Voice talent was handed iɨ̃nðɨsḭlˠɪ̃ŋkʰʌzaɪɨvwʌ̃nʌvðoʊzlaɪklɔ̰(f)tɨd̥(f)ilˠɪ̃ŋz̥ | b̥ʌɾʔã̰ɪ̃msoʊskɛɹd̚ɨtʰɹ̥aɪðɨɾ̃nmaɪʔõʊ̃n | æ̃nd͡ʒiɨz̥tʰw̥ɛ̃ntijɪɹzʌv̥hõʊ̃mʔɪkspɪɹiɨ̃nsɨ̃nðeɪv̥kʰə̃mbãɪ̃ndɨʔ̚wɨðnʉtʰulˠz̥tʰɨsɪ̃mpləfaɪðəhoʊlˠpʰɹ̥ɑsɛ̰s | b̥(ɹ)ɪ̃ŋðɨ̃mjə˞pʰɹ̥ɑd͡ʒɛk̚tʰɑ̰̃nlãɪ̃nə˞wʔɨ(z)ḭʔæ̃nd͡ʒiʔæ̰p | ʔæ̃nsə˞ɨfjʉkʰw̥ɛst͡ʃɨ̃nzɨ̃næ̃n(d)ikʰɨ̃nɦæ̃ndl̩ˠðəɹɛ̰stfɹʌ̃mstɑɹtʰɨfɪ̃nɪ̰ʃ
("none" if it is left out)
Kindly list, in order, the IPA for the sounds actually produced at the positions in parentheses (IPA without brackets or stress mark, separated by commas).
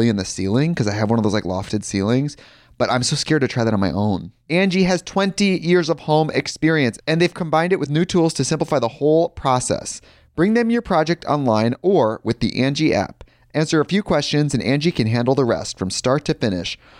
f, s, ɹ, ð, d͡ʒ